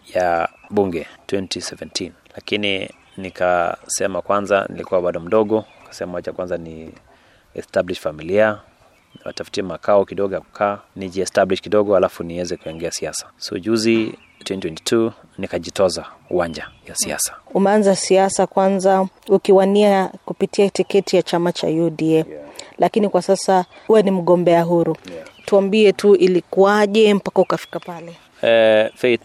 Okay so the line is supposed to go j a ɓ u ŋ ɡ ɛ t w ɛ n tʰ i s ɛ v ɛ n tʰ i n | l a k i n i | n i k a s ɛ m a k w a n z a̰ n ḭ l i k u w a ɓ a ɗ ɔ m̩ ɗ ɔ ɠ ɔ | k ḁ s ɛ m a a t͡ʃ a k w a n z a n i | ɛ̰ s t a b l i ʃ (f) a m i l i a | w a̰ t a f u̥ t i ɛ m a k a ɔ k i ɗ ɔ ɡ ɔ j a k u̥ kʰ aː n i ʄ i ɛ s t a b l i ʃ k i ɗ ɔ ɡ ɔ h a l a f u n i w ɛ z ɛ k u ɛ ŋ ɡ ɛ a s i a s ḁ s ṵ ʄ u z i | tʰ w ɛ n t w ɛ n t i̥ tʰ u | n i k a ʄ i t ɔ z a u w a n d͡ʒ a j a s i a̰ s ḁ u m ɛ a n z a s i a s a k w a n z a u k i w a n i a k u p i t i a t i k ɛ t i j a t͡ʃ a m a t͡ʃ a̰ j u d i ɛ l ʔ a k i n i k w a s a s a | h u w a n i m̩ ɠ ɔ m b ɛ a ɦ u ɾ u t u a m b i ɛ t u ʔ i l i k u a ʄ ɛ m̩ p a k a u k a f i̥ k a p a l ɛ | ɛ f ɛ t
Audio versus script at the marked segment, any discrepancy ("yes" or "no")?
no